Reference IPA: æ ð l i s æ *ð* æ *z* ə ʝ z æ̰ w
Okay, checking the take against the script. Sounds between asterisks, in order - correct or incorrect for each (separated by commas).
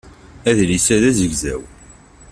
correct, correct